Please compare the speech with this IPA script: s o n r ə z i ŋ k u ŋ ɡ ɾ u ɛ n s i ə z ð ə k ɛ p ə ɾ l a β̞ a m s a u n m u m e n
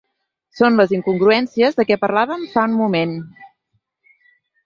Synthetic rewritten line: s o n l ə z i ŋ k u ŋ ɡ ɾ u ɛ n s i ə z ð ə k ɛ p ə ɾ l a β̞ ə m f a u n m u m e n